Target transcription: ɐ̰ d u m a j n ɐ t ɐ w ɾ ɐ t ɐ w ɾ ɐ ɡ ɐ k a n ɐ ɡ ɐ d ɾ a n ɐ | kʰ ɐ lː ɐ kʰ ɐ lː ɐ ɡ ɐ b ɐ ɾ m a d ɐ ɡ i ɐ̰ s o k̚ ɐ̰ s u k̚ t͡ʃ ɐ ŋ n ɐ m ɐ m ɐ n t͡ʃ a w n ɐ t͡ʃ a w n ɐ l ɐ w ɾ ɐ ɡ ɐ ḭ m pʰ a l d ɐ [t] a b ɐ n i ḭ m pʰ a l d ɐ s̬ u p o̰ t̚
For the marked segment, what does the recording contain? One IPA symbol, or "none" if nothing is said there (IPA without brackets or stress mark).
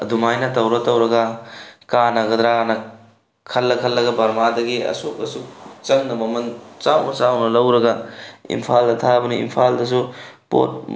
tʰ